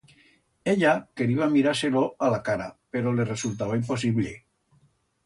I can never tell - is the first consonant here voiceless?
no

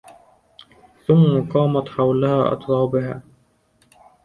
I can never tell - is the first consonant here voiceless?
yes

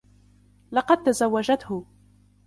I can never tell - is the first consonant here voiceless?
no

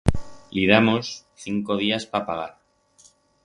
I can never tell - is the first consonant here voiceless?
no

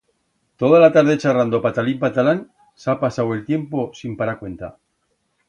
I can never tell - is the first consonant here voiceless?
yes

